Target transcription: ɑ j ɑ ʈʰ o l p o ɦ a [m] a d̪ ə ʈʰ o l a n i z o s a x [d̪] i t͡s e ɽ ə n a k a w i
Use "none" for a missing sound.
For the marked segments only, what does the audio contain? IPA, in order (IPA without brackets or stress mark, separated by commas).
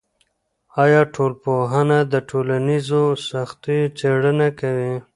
n, t̪